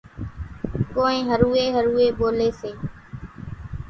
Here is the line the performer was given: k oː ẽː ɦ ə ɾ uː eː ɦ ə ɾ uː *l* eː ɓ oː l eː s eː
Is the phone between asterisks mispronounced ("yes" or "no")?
yes